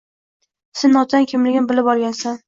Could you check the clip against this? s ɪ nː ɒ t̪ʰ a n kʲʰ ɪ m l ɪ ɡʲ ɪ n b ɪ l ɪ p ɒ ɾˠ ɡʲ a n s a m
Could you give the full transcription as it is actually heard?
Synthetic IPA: s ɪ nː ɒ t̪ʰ a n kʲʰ ɪ m l ɪ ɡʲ ɪ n b ɪ l ɪ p ɒ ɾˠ ɡʲ a n s a n

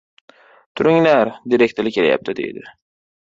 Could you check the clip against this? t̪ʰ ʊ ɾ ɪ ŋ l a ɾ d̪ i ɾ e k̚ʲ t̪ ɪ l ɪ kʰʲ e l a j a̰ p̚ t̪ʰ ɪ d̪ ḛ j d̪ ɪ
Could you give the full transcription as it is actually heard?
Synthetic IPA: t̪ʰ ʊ ɾ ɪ ŋ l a ɾ d̪ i ɾ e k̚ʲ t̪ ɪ l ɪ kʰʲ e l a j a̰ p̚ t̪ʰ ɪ d̪ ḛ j d̪ ɪ

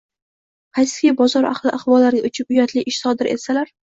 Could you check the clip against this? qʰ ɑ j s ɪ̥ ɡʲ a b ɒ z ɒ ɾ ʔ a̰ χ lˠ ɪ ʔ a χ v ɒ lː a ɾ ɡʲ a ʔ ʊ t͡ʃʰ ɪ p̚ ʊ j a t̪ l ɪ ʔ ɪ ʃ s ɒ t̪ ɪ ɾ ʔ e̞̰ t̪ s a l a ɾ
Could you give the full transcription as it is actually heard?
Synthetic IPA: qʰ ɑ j s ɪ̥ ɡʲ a b ɒ z ɒ ɾ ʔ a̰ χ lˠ ɪ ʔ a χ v ɒ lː a ɾ ɡʲ a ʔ ʊ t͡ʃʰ ɪ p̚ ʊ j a t̪ l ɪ ʔ ɪ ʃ s ɒ d̪ ɪ ɾ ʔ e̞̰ t̪ s a l a ɾ

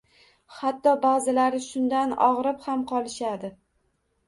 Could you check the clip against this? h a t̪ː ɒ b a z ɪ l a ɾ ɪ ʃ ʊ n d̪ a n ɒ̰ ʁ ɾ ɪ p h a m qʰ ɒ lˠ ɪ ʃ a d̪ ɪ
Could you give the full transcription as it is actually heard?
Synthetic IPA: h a t̪ː ɒ b a z ɪ l a ɾ ɪ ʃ ʊ n d̪ a n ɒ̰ ʁ ɾ ɪ p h a m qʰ ɒ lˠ ɪ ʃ a d̪ ɪ

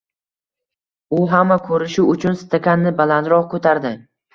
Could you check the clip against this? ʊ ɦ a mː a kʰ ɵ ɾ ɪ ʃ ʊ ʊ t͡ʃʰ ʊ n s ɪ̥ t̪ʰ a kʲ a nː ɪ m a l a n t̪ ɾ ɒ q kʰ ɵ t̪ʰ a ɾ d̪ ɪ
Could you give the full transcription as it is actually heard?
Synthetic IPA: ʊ ɦ a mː a kʰ ɵ ɾ ɪ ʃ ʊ ʊ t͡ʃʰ ʊ n s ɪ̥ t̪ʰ a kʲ a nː ɪ b a l a n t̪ ɾ ɒ q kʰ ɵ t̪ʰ a ɾ d̪ ɪ

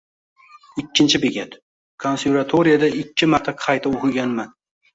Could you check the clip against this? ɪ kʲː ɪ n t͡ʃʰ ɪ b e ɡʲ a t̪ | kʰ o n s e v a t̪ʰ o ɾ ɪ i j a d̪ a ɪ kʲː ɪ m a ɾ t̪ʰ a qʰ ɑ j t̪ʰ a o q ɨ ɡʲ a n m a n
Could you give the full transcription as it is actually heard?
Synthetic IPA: ɪ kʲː ɪ n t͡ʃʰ ɪ b e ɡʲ a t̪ | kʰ o n s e v a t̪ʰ o ɾ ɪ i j a d̪ a ɪ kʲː ɪ m a ɾ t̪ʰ a qʰ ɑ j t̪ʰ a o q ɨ ɡʲ a n m a n

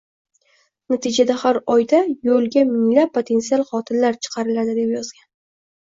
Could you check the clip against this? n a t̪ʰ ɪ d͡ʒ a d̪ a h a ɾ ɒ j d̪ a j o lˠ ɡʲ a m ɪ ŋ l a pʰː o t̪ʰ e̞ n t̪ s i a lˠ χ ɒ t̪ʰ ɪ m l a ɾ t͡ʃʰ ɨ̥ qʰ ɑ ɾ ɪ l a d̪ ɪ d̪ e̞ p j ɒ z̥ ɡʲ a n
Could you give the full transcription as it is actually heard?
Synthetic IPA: n a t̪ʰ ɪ d͡ʒ a d̪ a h a ɾ ɒ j d̪ a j o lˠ ɡʲ a m ɪ ŋ l a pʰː o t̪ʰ e̞ n t̪ s i a lˠ χ ɒ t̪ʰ ɪ n l a ɾ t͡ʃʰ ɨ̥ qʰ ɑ ɾ ɪ l a d̪ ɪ d̪ e̞ p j ɒ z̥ ɡʲ a n

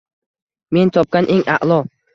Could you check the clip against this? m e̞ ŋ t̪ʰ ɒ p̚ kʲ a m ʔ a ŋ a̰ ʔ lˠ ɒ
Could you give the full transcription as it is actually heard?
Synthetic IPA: m e̞ n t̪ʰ ɒ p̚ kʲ a n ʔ e ŋ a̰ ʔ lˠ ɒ

